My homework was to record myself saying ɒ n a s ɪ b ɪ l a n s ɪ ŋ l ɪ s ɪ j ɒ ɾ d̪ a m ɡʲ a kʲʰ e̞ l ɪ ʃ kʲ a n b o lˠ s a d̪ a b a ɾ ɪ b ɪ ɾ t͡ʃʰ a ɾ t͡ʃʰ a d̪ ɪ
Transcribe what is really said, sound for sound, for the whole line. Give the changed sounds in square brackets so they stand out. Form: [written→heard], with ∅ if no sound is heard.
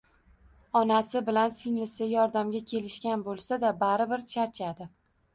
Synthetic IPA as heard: ɒ n a s ɪ b ɪ l a n s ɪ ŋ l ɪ s ɪ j ɒ ɾ d̪ a m ɡʲ a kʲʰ e̞ l ɪ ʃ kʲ a n b o lˠ s a d̪ a b a ɾ ɪ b ɪ ɾ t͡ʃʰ a ɾ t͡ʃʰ a d̪ ɪ